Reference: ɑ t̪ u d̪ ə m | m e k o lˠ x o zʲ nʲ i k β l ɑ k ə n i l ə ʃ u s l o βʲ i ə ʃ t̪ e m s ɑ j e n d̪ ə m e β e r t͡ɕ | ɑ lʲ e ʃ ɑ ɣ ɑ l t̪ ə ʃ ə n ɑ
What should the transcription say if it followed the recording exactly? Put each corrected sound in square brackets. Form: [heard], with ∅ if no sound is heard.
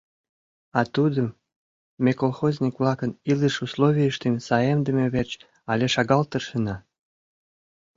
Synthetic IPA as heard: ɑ t̪ u d̪ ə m | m e k o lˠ x o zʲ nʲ i k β l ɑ k ə n i l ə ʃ u s l o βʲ i ə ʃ t̪ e m s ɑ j e [m] d̪ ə m e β e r t͡ɕ | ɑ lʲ e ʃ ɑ ɣ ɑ l t̪ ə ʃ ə n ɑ

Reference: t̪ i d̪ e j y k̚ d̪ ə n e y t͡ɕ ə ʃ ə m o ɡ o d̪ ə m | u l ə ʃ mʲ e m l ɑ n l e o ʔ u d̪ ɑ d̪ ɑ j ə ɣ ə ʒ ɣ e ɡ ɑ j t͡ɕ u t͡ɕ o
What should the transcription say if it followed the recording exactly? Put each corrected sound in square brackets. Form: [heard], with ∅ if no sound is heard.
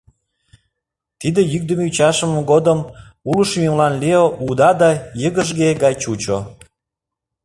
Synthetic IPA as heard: t̪ i d̪ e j y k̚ d̪ ə [m] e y t͡ɕ [ɑ] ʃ ə m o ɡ o d̪ ə m | u l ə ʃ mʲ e m l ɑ n l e o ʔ u d̪ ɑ d̪ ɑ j ə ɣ ə ʒ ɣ e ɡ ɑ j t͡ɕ u t͡ɕ o

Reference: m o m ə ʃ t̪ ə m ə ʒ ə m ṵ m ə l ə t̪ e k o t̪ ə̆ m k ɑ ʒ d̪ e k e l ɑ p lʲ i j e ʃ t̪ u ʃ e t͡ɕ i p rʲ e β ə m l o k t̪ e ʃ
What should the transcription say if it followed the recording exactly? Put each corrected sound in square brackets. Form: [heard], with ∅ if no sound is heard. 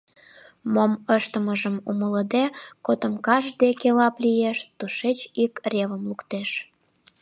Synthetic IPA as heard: m o m ə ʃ t̪ ə m ə ʒ ə m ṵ m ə l ə [d̪] e k o t̪ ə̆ m k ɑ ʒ d̪ e k e l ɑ p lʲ i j e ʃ t̪ u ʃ e t͡ɕ i [k] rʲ e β ə m l [u] k t̪ e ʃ

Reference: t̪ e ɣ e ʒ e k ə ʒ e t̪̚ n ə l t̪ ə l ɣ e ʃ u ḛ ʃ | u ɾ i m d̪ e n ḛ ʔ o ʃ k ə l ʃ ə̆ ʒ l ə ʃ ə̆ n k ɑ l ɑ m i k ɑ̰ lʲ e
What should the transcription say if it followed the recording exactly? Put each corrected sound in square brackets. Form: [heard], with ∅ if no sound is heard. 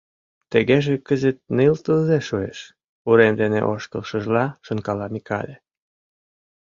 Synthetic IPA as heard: t̪ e ɣ e ʒ e k ə [z] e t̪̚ n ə l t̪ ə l [z] e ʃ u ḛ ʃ | u ɾ [e] m d̪ e n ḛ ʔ o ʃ k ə l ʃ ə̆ ʒ l [ɑ] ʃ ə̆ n k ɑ l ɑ m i k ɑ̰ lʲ e

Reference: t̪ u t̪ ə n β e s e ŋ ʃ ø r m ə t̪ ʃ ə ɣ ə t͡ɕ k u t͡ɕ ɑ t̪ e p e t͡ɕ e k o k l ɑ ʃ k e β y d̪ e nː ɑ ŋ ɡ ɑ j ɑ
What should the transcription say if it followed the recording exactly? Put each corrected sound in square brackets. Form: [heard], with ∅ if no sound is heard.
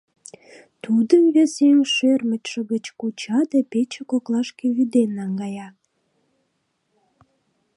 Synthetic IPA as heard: t̪ u [d̪] ə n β e s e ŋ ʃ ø r m ə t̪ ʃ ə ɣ ə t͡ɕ k u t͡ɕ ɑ [d̪] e p e t͡ɕ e k o k l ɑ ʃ k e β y d̪ e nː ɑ ŋ ɡ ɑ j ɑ

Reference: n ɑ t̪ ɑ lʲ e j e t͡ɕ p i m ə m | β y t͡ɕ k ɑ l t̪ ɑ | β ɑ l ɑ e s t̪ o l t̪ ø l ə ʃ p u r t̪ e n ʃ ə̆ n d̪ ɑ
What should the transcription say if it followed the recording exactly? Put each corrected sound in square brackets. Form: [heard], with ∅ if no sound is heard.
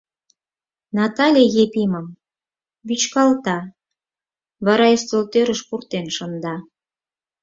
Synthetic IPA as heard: n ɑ t̪ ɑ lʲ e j e [∅] p i m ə m | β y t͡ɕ k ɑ l t̪ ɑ | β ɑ [ɾ] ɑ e s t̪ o l t̪ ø [ɾ] ə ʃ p u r t̪ e n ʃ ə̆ n d̪ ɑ

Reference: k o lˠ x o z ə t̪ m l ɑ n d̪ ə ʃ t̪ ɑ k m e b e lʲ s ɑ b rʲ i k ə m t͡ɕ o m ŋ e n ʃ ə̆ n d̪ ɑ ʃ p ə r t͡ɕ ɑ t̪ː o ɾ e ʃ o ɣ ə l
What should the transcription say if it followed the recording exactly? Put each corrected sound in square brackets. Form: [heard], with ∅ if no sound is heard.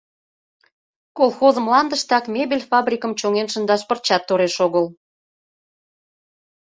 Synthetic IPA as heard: k o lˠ x o z ə [∅] m l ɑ n d̪ ə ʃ t̪ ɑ k m e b e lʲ [f] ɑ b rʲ i k ə m t͡ɕ o [∅] ŋ e n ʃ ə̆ n d̪ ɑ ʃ p ə r t͡ɕ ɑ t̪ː o ɾ e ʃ o ɣ ə l

